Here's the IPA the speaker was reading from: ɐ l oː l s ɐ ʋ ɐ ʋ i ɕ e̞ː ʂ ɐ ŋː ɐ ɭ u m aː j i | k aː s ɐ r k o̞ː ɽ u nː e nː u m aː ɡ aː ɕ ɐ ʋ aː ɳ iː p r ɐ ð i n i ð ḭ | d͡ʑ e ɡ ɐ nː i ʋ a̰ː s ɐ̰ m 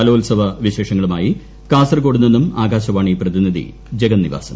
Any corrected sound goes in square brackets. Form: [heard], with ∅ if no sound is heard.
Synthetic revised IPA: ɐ l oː l s ɐ ʋ ɐ ʋ i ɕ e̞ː ʂ ɐ ŋː ɐ ɭ u m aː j i | k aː s ɐ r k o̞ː ɽ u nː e nː u m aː ɡ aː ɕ ɐ ʋ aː ɳ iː p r ɐ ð i n i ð ḭ | d͡ʑ e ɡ ɐ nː i ʋ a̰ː s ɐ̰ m